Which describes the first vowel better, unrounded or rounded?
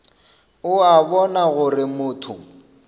rounded